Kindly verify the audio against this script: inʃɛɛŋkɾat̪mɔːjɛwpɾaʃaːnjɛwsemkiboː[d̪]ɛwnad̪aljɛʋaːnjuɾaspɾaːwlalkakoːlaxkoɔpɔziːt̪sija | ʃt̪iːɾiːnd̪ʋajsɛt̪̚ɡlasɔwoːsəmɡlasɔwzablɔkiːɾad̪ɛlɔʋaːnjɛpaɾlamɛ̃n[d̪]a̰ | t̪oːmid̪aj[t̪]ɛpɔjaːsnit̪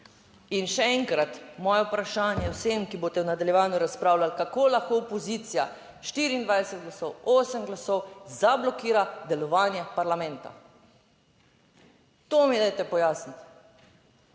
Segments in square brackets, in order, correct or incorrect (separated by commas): incorrect, incorrect, correct